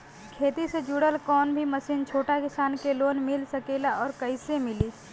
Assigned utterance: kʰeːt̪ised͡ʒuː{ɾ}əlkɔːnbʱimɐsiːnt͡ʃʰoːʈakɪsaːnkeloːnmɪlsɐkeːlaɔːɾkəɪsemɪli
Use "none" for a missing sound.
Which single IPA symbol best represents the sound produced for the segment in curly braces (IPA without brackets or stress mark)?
ɽ